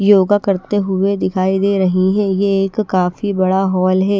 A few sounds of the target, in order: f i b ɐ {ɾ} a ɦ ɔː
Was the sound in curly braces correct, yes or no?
no